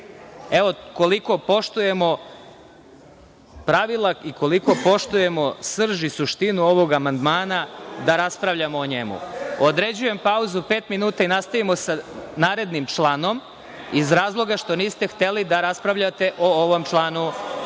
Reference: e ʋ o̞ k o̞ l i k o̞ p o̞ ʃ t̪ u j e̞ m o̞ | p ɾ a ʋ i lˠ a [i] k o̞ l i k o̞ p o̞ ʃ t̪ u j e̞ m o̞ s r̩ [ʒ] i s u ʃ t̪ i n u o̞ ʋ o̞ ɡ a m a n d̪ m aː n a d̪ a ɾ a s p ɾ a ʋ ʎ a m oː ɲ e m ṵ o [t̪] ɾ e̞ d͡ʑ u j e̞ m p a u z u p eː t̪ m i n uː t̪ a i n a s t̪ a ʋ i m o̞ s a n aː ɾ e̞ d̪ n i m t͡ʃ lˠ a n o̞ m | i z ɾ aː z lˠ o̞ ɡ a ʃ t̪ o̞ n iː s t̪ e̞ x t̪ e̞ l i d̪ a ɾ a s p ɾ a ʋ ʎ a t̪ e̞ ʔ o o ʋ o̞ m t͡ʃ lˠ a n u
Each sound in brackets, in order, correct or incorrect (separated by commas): correct, correct, incorrect